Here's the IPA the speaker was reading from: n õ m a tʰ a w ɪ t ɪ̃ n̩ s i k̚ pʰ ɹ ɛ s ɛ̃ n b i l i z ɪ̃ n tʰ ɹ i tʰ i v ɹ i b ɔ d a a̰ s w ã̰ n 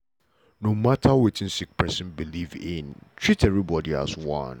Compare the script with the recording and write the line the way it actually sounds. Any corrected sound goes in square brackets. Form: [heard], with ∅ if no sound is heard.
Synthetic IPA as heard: n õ m a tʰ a w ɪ t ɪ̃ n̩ s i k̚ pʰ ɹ ɛ s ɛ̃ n b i l i [v] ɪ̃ n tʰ ɹ i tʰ [ɛ] v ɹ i b ɔ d [i] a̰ s w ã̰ n